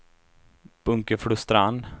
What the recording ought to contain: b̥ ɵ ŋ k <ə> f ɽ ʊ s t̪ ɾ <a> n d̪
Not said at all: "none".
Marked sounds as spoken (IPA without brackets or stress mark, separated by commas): ə, a